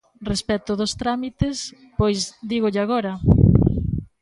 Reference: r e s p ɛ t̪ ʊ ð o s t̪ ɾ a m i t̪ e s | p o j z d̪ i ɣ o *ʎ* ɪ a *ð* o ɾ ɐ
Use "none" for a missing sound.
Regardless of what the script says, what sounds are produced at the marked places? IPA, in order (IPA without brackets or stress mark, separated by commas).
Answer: ʎ, ɣ